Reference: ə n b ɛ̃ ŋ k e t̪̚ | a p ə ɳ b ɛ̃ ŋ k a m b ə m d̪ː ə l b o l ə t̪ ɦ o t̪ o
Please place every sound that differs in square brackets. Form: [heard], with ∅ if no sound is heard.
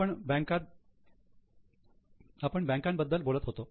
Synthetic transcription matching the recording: ə [ɳ] b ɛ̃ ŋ k [a] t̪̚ | a p ə ɳ b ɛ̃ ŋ k a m b ə [∅] d̪ː ə l b o l ə t̪ ɦ o t̪ o